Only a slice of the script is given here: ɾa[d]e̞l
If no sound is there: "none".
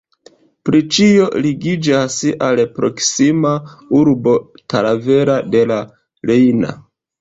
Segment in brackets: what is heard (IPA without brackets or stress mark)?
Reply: d